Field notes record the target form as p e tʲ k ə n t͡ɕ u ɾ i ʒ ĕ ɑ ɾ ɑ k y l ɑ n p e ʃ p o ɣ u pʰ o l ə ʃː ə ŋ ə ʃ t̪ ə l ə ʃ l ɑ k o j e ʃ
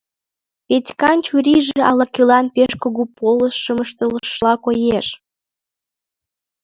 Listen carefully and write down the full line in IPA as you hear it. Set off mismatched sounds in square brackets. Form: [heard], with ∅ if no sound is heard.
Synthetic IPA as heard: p e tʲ k [ɑ] n t͡ɕ u ɾ i ʒ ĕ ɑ [l] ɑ k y l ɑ n p e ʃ [k] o ɣ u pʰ o l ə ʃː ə [m] ə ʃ t̪ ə l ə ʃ l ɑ k o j e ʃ

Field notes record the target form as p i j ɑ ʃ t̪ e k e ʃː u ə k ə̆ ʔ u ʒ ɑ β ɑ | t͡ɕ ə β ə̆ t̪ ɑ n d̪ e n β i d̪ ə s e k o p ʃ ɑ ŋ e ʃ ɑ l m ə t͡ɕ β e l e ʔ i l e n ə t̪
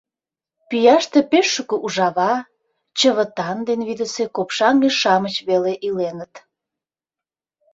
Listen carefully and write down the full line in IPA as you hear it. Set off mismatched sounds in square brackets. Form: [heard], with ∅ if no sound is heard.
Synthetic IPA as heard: p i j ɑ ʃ t̪ e [p] e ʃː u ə k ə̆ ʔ u ʒ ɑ β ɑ | t͡ɕ ə β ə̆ t̪ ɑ n d̪ e n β i d̪ ə s e k o p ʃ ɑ ŋ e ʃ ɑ [∅] m ə t͡ɕ β e l e ʔ i l e n ə t̪

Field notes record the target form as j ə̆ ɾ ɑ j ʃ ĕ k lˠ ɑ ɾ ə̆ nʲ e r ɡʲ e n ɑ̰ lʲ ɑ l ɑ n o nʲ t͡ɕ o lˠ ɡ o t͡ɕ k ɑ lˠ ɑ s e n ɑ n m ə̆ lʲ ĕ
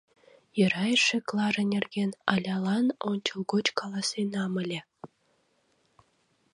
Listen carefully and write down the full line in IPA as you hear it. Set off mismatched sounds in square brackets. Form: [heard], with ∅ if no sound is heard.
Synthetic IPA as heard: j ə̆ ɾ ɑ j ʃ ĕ k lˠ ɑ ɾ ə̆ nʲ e r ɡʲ e n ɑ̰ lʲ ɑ l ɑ n o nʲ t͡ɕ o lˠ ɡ o t͡ɕ k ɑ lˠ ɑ s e n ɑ [∅] m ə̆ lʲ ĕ

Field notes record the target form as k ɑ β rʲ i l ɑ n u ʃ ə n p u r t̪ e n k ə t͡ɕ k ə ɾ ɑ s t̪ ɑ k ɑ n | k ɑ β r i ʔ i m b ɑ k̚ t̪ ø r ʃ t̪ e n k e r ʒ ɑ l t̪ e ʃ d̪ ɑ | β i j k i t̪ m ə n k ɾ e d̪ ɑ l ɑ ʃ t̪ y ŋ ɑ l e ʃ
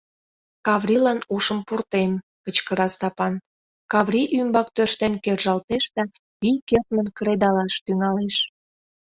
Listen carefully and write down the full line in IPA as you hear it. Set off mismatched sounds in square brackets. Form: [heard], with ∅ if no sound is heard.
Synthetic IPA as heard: k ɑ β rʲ i l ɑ n u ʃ ə [m] p u r t̪ e [m] k ə t͡ɕ k ə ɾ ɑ s t̪ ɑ [p] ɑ n | k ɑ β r i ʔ [y] m b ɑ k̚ t̪ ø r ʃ t̪ e n k e r ʒ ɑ l t̪ e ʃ d̪ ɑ | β i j k [e] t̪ m ə n k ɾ e d̪ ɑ l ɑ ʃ t̪ y ŋ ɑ l e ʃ

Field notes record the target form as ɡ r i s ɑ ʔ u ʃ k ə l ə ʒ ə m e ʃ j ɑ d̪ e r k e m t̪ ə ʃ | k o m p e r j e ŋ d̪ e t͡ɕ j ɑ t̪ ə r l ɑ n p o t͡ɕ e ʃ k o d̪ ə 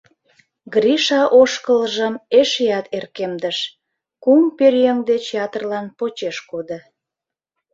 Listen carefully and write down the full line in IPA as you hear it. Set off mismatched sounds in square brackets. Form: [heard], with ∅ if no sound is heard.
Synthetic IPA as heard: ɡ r i [ʃ] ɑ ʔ [o] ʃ k ə l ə ʒ ə m e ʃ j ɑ [t̪] e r k e m [d̪] ə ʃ | k [u] m p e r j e ŋ d̪ e t͡ɕ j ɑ t̪ ə r l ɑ n p o t͡ɕ e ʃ k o d̪ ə

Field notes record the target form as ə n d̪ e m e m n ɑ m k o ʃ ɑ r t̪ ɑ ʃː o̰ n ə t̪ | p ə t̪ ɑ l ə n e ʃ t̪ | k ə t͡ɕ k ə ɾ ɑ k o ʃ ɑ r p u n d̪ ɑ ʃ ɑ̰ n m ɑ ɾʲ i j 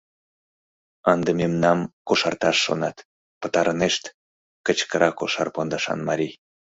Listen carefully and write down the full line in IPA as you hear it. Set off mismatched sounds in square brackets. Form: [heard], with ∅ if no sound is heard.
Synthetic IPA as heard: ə n d̪ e m e m n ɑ m k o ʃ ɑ r t̪ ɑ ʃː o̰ n [ɑ] t̪ | p ə t̪ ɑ [ɾ] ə n e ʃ t̪ | k ə t͡ɕ k ə ɾ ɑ k o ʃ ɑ r p [o] n d̪ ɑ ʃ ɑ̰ n m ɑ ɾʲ i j

